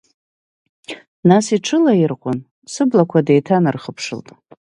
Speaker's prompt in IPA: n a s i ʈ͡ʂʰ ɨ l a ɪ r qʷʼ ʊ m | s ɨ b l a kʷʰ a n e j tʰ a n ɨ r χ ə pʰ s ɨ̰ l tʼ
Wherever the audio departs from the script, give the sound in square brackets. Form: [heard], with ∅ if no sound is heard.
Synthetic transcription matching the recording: n a s i ʈ͡ʂʰ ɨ l a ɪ r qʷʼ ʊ [n] | s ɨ b l a kʷʰ a [d] e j tʰ a n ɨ r χ ə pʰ [ʂ] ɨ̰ l tʼ